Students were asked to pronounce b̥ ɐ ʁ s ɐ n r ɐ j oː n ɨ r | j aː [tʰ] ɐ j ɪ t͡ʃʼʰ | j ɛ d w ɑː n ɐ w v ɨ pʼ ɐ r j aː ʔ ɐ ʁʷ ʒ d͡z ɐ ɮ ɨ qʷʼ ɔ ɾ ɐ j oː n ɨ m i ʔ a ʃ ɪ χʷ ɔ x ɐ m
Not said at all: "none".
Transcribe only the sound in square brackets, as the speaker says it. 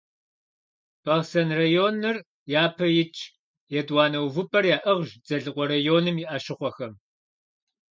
pʰ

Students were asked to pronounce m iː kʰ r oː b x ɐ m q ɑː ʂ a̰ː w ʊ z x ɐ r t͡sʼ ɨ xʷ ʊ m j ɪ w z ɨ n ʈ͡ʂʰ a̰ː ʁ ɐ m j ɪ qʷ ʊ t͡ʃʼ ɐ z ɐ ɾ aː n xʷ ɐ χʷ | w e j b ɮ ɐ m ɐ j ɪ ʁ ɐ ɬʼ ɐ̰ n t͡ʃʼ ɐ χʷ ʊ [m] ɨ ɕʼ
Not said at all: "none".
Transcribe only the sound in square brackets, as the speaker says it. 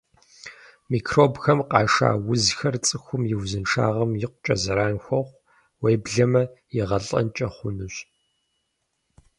n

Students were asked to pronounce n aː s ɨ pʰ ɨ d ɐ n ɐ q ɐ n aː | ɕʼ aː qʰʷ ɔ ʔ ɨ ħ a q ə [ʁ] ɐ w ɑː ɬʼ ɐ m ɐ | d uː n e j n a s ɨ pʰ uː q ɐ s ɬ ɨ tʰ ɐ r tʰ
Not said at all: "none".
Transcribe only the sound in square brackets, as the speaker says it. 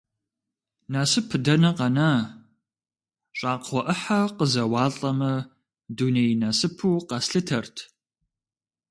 z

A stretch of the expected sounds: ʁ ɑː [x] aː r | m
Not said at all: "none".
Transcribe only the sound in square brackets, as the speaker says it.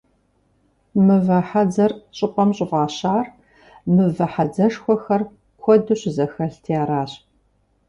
ɕ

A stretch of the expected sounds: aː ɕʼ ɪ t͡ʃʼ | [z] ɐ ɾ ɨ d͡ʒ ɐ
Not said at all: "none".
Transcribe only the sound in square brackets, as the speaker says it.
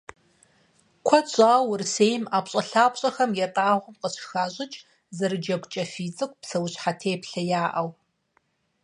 z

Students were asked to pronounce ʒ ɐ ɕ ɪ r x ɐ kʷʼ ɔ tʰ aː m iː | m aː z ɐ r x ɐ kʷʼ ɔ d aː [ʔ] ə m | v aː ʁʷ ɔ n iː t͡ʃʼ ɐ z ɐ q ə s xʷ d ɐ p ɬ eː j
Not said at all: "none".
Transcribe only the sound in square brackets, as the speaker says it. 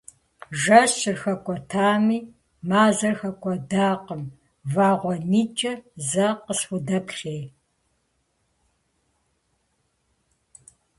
q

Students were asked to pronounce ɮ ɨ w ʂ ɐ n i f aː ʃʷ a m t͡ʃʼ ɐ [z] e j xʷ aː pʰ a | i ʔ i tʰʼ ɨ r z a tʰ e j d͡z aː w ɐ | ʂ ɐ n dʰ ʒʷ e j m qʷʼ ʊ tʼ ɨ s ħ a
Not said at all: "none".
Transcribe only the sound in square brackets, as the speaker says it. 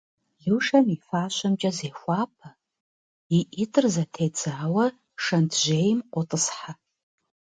z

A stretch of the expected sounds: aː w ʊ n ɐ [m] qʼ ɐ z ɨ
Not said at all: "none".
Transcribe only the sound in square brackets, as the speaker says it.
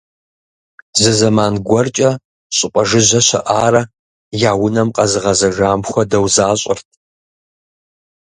m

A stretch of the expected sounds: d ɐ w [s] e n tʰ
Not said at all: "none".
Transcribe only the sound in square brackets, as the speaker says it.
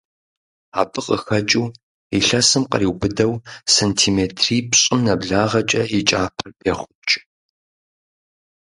s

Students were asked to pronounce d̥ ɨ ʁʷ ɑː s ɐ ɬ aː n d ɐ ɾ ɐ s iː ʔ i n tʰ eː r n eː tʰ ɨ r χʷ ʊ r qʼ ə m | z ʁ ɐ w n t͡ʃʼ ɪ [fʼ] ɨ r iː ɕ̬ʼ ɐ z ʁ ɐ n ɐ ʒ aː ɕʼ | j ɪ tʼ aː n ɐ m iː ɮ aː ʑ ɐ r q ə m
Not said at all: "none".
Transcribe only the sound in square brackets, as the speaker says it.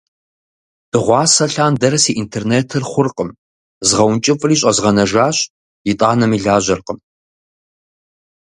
fʼ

